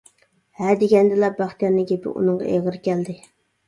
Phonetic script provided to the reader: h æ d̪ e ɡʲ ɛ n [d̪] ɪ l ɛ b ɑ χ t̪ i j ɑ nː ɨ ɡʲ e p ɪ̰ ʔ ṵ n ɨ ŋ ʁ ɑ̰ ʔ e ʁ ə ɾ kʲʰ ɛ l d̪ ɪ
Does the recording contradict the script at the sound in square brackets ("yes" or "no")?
no